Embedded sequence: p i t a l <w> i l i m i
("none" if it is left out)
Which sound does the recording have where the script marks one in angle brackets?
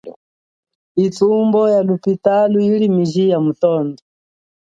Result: u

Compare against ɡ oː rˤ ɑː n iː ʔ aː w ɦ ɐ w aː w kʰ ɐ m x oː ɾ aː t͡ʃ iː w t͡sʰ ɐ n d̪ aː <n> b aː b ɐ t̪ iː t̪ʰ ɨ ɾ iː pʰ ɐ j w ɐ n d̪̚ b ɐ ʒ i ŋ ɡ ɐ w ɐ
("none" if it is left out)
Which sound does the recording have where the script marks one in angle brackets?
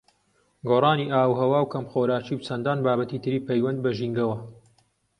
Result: n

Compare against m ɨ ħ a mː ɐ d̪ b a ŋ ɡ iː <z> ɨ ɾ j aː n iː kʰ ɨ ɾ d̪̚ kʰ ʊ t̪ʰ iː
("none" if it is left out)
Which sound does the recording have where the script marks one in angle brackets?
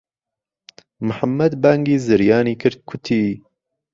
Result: z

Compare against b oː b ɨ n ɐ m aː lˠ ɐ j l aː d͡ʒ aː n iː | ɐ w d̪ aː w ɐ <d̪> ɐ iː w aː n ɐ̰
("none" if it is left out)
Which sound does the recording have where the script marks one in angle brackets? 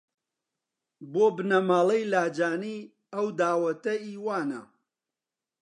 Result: t̪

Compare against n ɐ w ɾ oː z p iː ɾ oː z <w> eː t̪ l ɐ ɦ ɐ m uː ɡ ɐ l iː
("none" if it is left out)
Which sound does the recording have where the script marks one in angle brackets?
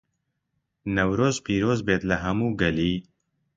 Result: b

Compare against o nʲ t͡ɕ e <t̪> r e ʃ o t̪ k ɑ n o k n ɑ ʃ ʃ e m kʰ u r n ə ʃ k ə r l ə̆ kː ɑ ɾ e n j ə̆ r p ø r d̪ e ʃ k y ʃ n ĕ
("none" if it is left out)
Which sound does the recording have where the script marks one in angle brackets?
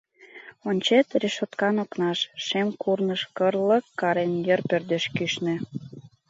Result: t̪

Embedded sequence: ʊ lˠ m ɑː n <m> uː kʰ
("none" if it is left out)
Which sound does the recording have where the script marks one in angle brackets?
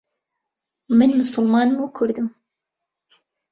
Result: m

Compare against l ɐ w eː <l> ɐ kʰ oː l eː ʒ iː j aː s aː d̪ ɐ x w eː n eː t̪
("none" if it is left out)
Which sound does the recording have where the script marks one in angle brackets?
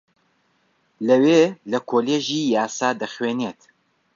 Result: l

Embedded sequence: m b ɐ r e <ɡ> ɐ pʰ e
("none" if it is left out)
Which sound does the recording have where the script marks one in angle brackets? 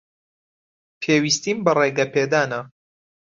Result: ɡ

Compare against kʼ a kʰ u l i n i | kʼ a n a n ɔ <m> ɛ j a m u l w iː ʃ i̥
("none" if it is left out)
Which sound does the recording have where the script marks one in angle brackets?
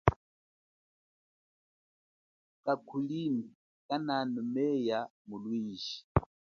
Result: m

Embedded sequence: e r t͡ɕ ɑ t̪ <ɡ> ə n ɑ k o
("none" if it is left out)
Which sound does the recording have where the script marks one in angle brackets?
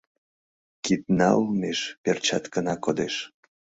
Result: k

